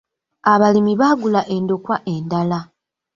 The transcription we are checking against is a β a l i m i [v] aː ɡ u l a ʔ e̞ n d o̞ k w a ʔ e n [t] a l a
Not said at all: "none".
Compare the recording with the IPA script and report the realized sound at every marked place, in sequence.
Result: β, d

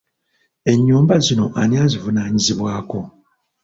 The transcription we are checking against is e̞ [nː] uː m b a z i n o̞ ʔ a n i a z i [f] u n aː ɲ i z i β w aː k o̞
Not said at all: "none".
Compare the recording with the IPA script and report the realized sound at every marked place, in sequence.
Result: ɲː, v

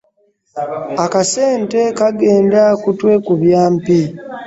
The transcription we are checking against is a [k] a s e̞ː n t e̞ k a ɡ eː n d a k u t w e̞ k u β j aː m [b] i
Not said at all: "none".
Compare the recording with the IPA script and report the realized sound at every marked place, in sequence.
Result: k, p

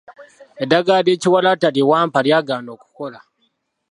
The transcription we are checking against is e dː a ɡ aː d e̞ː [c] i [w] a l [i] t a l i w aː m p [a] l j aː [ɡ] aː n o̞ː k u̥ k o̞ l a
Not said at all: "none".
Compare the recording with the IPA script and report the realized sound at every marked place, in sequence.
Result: c, w, a, a, ɡ

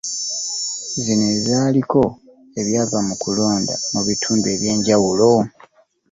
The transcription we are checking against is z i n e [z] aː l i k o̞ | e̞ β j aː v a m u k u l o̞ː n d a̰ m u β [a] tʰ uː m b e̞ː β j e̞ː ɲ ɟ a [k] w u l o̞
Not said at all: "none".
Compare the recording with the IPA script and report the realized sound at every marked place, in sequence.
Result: z, i, none

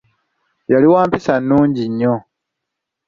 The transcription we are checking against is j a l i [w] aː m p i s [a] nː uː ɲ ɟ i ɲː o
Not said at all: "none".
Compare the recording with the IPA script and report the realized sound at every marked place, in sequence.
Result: w, a

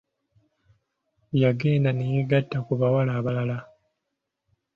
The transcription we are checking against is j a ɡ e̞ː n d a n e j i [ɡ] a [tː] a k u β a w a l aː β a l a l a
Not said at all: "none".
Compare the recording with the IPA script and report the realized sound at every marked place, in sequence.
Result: ɡ, tː

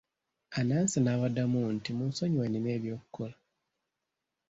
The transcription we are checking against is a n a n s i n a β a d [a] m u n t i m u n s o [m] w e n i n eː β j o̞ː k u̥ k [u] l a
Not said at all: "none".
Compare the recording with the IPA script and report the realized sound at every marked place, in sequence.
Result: a, ɲ, o

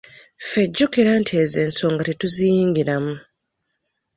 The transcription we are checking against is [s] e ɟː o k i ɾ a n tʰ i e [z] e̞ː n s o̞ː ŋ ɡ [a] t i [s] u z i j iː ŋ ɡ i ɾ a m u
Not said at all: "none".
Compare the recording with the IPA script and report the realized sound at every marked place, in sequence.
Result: f, z, a, t

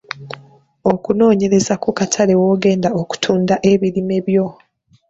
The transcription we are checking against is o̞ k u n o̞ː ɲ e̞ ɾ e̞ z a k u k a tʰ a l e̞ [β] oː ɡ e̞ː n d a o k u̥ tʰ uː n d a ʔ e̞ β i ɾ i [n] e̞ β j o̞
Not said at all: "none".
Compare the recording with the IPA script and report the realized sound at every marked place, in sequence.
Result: w, m

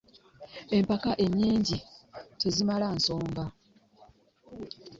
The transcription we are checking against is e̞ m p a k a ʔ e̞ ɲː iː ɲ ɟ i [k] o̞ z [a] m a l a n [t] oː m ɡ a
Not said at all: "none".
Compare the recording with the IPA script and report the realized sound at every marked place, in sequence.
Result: t, i, s

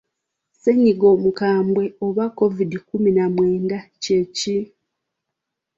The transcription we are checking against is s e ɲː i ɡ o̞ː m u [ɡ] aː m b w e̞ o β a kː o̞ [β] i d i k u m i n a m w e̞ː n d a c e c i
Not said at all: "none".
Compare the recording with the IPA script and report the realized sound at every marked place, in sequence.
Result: k, v

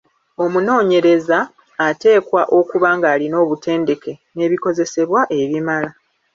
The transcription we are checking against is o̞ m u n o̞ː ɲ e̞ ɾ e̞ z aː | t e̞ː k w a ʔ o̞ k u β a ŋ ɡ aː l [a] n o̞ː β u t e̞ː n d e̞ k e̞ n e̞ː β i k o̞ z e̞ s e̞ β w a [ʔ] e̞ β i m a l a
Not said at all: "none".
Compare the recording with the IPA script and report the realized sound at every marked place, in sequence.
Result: i, ʔ

